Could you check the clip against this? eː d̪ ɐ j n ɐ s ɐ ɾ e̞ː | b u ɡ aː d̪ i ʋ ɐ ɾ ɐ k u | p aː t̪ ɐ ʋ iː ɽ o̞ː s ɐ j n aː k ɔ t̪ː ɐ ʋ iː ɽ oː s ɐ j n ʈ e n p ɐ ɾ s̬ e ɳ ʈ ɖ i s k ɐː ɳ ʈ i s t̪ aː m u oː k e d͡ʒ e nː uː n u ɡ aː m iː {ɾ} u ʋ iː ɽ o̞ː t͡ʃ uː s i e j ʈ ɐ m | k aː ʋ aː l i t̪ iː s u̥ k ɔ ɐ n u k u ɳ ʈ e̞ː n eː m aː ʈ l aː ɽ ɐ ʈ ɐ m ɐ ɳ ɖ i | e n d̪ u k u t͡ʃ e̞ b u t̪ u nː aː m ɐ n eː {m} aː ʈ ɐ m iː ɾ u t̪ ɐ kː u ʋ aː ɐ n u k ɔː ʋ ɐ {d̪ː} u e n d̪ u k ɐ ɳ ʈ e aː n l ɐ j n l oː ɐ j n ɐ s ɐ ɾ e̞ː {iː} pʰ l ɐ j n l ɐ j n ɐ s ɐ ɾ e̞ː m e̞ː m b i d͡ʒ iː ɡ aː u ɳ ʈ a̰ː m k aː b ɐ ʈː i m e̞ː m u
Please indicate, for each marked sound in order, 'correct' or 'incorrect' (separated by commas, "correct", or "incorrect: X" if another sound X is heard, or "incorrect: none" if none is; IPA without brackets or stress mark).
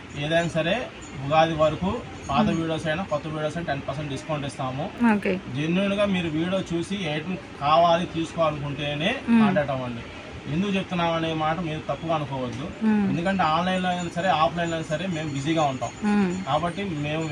correct, correct, correct, incorrect: aː